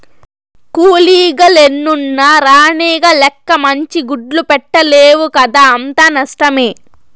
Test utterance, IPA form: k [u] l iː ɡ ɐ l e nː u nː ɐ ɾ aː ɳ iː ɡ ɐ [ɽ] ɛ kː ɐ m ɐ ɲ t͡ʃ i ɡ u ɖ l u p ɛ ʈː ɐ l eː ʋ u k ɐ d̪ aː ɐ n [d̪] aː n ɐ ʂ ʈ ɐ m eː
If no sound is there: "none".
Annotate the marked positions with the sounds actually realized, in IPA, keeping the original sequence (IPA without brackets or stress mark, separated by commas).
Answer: uː, l, t̪